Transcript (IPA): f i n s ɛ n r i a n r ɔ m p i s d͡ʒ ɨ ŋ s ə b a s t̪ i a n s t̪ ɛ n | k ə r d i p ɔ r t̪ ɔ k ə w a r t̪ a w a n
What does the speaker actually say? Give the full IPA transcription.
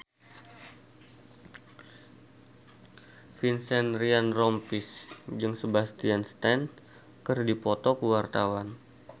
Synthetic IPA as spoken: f i n s ɛ n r i a n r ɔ m p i s d͡ʒ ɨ ŋ s ə b a s t̪ i a n s t̪ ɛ n | k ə r d i p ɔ t̪ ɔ k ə w a r t̪ a w a n

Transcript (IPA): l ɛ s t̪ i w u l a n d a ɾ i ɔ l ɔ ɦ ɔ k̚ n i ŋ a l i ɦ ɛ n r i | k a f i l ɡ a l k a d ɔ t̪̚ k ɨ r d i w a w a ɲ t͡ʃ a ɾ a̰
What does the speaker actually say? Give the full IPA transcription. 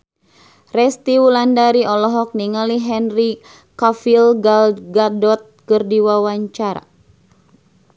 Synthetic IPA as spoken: r ɛ s t̪ i w u l a n d a ɾ i ɔ l ɔ ɦ ɔ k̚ n i ŋ a l i ɦ ɛ n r i | k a f i l ɡ a l ɡ a d ɔ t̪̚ k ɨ r d i w a w a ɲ t͡ʃ a ɾ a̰

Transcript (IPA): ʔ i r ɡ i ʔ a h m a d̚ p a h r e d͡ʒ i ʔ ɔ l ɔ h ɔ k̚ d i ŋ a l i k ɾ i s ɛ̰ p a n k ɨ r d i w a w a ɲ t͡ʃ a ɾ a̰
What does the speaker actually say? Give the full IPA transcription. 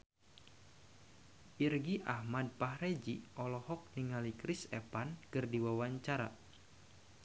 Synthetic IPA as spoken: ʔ i r ɡ i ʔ a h m a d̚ p a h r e d͡ʒ i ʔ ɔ l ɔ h ɔ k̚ n i ŋ a l i k ɾ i s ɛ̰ p a n k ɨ r d i w a w a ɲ t͡ʃ a ɾ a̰

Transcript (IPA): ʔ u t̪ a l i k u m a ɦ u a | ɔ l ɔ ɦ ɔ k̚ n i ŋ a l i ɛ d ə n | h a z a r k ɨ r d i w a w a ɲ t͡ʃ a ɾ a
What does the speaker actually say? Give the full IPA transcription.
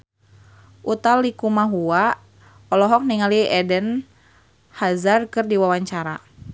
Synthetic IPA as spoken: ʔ u t̪ a l i k u m a ɦ u a | ɔ l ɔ ɦ ɔ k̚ n i ŋ a l i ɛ d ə n | h a z a r k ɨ r d i w a w a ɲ t͡ʃ a ɾ a

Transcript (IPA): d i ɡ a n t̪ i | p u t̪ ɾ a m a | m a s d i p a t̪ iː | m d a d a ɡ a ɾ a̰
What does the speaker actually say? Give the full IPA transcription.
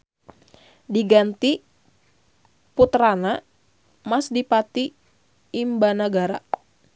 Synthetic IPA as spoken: d i ɡ a n t̪ i | p u t̪ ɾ a n a | m a s d i p a t̪ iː | m b a n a ɡ a ɾ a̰

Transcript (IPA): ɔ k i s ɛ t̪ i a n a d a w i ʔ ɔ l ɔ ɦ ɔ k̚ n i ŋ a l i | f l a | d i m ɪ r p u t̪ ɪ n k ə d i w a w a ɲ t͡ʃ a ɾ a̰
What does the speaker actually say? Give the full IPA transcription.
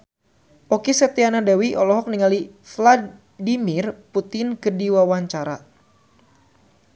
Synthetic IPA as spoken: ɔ k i s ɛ t̪ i a n a d a w i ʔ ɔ l ɔ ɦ ɔ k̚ n i ŋ a l i | f l a | d i m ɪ r p u t̪ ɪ n k ə d i w a w a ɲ t͡ʃ a ɾ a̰

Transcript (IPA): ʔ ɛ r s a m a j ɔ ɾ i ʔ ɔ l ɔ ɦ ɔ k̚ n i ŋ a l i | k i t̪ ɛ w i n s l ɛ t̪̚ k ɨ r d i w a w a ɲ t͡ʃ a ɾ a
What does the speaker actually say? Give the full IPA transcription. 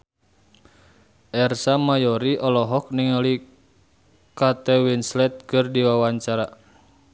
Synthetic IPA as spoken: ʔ ɛ r s a m a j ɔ ɾ i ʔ ɔ l ɔ ɦ ɔ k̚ n i ŋ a l i | k a t̪ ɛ w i n s l ɛ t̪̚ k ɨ r d i w a w a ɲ t͡ʃ a ɾ a

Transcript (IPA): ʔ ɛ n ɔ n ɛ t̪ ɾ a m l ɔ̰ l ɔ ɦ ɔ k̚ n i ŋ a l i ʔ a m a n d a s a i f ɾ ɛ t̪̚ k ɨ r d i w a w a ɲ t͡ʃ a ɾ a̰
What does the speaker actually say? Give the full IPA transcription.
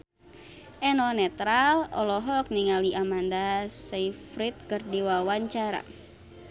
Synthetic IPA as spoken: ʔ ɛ n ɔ n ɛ t̪ ɾ a l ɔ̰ l ɔ ɦ ɔ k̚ n i ŋ a l i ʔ a m a n d a s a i f ɾ i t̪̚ k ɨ r d i w a w a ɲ t͡ʃ a ɾ a̰

